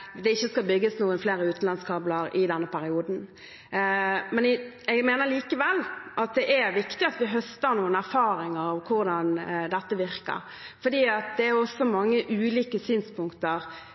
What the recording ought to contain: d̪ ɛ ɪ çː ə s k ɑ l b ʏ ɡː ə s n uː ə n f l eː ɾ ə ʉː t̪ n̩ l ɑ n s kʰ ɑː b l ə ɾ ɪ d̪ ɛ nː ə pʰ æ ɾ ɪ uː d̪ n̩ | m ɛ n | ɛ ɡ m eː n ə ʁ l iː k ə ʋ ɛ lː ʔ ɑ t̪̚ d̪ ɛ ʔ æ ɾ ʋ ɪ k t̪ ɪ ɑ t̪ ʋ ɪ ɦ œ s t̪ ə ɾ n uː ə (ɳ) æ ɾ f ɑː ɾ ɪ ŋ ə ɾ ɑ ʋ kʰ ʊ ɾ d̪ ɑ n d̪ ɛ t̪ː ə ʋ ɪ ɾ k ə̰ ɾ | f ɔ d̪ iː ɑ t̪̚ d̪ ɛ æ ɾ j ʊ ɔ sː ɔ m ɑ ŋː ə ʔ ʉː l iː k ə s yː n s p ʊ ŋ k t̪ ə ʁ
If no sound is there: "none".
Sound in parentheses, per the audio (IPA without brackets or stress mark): n